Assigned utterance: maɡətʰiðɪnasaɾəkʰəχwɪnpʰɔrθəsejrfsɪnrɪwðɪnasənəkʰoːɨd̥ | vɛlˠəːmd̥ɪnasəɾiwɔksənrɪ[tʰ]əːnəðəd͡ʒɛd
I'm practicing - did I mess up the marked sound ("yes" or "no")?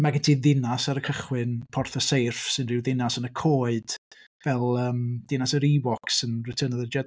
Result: no